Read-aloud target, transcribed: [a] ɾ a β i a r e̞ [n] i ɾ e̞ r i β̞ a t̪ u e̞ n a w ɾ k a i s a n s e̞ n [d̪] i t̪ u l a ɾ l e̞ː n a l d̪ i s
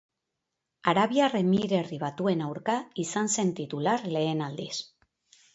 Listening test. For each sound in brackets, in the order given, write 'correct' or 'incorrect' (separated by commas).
correct, incorrect, incorrect